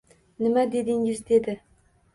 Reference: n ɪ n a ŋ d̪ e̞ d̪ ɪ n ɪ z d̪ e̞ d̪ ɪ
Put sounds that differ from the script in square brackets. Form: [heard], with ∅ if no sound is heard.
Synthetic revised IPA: n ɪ [m] a [∅] d̪ e̞ d̪ ɪ [ŋ] ɪ z d̪ e̞ d̪ ɪ